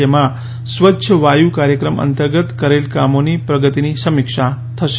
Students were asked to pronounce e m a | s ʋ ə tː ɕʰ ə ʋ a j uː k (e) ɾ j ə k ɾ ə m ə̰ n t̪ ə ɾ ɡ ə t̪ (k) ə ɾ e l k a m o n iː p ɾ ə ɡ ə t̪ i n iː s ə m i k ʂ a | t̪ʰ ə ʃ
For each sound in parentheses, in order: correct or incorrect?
incorrect, correct

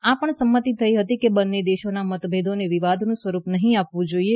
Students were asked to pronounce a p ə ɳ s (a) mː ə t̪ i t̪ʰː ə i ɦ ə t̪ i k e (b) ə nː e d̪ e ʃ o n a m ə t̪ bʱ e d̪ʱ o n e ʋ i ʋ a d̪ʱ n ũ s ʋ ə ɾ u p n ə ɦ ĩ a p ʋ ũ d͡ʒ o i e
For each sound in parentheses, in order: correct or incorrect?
incorrect, correct

